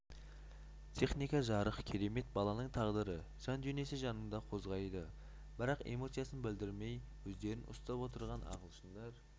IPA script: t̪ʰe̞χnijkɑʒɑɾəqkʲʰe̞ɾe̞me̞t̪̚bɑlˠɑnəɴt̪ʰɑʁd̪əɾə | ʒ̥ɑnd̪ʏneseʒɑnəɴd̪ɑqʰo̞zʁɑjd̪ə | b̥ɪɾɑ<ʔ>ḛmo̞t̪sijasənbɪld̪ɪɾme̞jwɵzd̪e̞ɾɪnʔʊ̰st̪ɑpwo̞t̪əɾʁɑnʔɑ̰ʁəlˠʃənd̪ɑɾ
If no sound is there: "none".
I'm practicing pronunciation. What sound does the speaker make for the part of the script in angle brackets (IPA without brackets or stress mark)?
q